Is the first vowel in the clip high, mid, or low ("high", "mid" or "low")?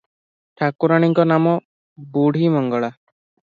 low